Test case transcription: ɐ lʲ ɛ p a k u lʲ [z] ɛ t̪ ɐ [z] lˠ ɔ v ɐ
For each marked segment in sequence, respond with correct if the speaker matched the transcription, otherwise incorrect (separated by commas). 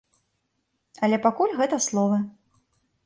incorrect, incorrect